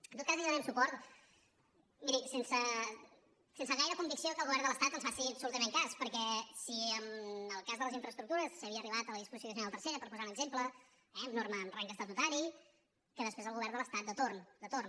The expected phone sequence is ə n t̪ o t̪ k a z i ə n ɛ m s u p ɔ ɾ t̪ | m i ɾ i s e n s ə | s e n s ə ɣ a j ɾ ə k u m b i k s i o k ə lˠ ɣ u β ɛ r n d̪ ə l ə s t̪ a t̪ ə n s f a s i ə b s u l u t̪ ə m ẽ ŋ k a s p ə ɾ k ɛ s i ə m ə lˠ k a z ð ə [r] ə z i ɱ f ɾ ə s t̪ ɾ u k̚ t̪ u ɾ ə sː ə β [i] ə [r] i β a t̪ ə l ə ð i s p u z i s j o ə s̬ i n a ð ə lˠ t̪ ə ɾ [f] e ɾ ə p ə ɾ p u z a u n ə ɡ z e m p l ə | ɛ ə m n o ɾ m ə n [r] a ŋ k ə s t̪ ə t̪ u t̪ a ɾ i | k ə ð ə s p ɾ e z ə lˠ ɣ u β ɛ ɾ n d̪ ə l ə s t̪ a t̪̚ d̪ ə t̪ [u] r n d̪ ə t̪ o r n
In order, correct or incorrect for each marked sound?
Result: incorrect, correct, correct, incorrect, correct, incorrect

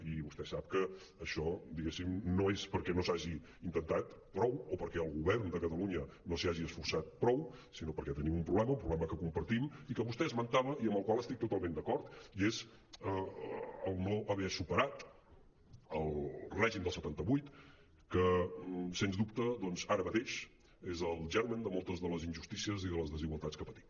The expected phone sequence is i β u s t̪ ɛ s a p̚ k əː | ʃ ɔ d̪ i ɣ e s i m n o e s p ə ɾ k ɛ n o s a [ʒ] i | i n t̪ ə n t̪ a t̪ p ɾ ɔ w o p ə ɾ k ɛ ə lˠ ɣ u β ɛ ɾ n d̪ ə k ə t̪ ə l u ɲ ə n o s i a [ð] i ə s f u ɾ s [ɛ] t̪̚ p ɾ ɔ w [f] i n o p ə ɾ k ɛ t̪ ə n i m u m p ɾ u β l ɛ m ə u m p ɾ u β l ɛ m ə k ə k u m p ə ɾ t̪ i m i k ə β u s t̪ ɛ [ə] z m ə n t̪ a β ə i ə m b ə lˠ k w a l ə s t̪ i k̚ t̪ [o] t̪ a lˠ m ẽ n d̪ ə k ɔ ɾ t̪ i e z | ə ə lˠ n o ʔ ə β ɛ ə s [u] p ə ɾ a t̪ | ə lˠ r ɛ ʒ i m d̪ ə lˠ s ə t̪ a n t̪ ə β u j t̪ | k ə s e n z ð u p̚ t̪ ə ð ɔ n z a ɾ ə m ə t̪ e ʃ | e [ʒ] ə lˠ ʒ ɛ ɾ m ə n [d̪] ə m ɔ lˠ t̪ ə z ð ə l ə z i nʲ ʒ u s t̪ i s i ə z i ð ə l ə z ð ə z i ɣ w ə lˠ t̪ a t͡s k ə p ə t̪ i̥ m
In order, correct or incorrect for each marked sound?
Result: correct, incorrect, incorrect, incorrect, correct, incorrect, correct, incorrect, correct

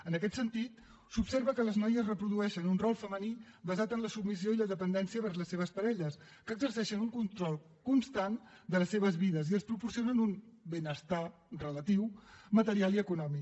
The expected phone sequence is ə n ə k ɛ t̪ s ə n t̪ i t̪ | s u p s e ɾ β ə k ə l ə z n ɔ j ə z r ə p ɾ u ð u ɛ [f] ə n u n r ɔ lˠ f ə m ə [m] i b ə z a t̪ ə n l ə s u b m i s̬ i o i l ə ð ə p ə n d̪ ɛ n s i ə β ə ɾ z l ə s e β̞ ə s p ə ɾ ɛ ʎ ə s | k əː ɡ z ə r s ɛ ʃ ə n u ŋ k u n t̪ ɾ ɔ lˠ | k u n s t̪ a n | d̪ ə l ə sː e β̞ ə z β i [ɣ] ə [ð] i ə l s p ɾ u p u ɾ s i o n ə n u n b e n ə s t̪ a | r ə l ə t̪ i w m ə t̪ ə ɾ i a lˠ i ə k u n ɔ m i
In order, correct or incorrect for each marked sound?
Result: incorrect, incorrect, incorrect, incorrect

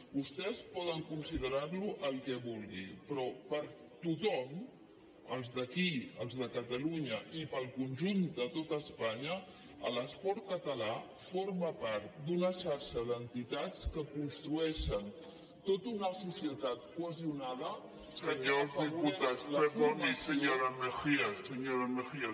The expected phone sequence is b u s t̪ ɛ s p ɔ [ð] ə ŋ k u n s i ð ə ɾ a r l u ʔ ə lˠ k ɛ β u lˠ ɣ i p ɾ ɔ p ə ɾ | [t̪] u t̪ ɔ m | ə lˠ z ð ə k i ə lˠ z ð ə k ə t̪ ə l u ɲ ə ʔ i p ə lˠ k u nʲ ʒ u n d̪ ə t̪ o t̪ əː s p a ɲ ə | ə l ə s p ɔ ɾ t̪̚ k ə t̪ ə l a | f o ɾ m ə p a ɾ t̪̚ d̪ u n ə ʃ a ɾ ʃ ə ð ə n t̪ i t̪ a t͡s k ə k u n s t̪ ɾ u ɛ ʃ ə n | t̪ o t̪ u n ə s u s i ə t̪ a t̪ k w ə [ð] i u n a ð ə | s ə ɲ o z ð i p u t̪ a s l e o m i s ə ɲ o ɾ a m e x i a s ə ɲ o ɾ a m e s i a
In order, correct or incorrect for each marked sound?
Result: correct, correct, incorrect

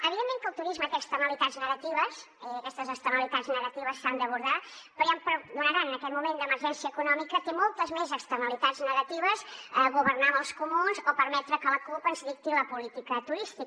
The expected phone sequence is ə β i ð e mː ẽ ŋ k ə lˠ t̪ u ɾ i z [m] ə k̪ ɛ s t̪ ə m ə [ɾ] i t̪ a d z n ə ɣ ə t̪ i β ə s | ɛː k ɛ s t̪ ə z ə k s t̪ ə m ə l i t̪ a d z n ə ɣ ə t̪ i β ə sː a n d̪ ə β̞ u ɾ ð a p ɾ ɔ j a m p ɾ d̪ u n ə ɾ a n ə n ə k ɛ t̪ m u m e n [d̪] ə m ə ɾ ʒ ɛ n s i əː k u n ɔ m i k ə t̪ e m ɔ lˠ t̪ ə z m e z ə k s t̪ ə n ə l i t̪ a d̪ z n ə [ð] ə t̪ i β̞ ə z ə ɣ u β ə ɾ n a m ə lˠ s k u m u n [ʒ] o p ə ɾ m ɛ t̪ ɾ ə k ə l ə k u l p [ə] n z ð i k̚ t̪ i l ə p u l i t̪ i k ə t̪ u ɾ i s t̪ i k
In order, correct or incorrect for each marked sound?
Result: correct, incorrect, correct, incorrect, incorrect, correct

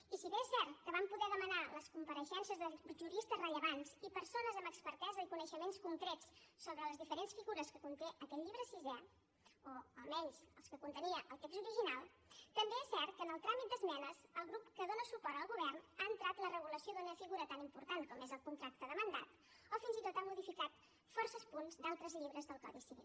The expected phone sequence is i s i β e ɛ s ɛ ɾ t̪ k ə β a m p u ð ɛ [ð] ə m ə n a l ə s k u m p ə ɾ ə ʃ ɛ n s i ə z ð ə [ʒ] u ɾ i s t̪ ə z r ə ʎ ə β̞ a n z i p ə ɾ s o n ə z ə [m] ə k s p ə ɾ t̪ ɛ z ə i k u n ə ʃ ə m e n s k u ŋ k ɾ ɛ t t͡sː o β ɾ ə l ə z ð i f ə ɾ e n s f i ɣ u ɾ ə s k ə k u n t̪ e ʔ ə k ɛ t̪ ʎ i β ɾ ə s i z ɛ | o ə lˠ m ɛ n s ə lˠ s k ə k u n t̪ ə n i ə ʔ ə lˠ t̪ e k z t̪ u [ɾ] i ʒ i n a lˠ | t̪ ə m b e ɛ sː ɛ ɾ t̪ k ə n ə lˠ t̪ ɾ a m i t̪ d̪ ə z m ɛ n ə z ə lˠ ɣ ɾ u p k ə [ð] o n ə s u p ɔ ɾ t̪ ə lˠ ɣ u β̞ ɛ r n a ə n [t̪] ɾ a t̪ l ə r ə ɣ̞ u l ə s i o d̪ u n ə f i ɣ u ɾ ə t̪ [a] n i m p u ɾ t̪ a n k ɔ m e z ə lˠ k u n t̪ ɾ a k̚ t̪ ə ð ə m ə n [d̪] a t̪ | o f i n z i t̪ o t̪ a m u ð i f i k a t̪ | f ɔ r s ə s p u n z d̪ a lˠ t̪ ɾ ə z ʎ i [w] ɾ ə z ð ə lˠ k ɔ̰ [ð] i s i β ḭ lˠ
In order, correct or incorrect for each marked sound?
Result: correct, correct, correct, correct, correct, correct, correct, correct, incorrect, correct

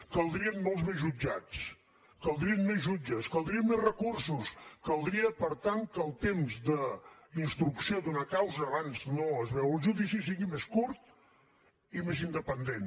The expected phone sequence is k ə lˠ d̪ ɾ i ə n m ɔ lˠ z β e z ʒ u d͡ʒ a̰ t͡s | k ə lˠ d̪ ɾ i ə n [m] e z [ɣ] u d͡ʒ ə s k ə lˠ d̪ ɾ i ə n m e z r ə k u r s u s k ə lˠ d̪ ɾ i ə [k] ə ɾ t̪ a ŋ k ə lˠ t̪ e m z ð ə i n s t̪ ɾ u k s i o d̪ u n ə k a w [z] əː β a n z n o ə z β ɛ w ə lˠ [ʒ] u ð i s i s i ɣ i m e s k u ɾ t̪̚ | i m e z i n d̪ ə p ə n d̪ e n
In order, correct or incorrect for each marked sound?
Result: correct, incorrect, incorrect, correct, correct

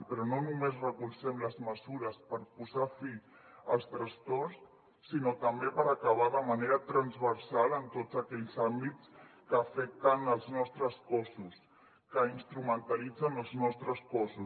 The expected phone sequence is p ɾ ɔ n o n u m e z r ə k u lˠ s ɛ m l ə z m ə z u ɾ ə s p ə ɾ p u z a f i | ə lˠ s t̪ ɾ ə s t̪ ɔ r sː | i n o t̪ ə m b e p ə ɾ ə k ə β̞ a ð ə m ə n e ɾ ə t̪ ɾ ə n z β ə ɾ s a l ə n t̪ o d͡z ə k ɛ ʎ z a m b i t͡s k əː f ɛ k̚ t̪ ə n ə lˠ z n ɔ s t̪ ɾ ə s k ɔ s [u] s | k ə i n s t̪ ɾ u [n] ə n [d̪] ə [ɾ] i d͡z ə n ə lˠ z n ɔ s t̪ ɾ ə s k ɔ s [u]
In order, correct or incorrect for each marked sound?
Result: correct, incorrect, incorrect, incorrect, correct

